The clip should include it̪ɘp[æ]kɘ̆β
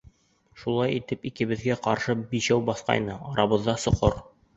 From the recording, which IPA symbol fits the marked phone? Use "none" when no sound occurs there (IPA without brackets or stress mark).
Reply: i